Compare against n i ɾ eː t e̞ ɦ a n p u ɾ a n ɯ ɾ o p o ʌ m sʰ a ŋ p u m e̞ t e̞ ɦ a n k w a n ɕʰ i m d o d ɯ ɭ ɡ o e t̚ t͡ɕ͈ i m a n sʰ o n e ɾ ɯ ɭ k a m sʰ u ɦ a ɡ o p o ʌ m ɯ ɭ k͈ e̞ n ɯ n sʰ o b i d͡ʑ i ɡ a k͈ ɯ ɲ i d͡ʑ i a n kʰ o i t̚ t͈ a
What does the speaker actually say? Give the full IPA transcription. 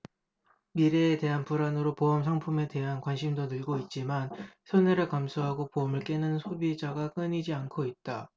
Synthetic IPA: m i ɾ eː t e̞ ɦ a n p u ɾ a n ɯ ɾ o p o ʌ m sʰ a ŋ pʰ u m e̞ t e̞ ɦ a n k w a n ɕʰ i m d o n ɯ ɭ ɡ o i t̚ t͡ɕ͈ i m a n sʰ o n e ɾ ɯ ɭ k a m sʰ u ɦ a ɡ o p o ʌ m ɯ ɭ k͈ e̞ n ɯ n sʰ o b i d͡ʑ a ɡ a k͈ ɯ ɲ i d͡ʑ i a n kʰ o i t̚ t͈ a